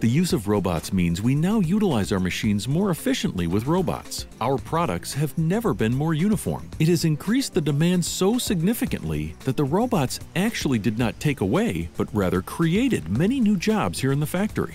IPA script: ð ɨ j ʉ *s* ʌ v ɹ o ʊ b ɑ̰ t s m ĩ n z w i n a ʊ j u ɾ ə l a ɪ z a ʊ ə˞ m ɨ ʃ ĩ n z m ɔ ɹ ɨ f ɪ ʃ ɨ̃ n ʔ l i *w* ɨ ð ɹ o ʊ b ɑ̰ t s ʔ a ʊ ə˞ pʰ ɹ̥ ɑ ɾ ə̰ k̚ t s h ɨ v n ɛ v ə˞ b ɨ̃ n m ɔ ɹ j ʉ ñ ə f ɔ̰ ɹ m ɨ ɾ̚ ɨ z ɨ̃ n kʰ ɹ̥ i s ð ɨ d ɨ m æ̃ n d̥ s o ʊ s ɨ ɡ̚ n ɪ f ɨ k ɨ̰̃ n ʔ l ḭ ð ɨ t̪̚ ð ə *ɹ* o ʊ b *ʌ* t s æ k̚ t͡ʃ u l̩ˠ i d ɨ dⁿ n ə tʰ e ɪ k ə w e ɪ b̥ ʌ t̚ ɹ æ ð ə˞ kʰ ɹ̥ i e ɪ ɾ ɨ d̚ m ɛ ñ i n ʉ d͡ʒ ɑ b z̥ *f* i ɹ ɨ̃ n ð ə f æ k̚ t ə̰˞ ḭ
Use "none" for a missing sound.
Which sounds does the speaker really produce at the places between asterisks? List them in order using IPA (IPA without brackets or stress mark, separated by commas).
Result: z, w, ɹ, ɑ, h